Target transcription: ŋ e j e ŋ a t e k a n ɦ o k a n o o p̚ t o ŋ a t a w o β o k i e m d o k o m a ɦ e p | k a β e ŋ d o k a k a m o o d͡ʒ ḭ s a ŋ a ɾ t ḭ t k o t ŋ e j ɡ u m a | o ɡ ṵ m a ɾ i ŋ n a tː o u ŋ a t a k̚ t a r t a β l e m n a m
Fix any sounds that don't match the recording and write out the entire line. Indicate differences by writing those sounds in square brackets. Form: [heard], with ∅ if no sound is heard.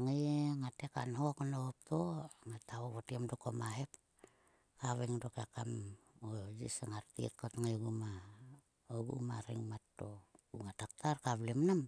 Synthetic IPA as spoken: ŋ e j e ŋ a t e k a n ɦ o k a n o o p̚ t o ŋ a t a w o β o [t] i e m d o k o m a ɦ e p | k a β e ŋ d o k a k a m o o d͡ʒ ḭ s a ŋ a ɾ t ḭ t k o t ŋ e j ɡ u m a | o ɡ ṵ m a ɾ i ŋ [m] a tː o u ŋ a t a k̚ t a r [k] a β l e m n a m